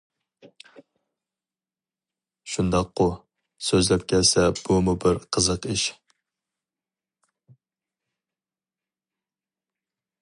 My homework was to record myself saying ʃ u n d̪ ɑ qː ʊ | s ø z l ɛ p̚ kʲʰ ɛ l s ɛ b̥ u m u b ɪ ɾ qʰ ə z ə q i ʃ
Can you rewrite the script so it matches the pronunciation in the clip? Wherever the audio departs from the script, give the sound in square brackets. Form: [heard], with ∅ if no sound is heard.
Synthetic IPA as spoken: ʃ u n d̪ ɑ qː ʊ | s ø z l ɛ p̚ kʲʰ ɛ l s ɛ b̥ u m u b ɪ ɾ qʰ ə z ə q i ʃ